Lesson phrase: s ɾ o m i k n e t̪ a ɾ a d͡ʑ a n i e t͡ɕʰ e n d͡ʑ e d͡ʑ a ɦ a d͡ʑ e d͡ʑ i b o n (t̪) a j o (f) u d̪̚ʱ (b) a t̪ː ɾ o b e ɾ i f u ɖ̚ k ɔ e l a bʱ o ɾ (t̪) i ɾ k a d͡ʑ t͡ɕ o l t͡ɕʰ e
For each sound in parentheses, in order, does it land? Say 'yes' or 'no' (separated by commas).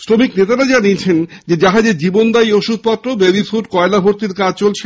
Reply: no, no, no, yes